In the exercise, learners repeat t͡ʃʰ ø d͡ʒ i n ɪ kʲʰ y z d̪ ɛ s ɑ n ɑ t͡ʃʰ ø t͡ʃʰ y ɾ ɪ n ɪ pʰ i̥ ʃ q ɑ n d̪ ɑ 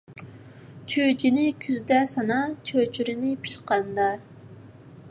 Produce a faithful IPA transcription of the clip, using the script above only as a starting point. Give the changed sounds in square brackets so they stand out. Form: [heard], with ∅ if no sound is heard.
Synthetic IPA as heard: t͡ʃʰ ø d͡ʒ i n ɪ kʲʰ y z d̪ ɛ s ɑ n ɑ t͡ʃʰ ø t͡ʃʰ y ɾ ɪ n ɪ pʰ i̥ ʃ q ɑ n d̪ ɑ